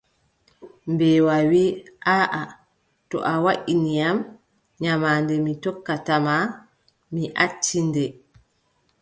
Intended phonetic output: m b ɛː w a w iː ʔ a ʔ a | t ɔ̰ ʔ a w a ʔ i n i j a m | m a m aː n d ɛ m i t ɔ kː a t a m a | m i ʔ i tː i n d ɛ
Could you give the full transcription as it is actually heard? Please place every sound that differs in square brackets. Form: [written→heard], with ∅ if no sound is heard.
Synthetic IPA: m b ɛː w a w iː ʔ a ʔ a | t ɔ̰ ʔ a w a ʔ i n i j a m | [m→ɲ] a m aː n d ɛ m i t ɔ kː a t a m a | m i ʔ [i→a] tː i n d ɛ